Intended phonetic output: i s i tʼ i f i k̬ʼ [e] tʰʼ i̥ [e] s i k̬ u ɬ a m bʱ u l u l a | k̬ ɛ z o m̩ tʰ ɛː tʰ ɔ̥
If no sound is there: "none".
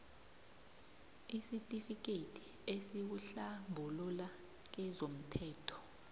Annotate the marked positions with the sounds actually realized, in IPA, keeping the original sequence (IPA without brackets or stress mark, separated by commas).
e, e